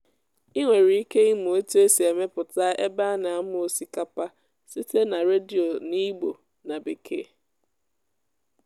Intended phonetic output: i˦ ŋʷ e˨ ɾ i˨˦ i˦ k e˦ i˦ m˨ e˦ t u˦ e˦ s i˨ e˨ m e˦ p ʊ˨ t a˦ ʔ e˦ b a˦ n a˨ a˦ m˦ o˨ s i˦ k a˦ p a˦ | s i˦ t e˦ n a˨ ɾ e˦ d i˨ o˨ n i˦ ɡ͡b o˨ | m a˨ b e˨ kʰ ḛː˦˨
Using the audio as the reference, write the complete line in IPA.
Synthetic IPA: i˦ ŋʷ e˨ ɾ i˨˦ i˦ k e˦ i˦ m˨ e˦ t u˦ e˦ s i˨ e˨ m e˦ p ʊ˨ t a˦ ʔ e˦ b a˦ n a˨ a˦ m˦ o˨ s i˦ k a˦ p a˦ | s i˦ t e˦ n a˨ ɾ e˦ d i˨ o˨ n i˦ ɡ͡b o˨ | n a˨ b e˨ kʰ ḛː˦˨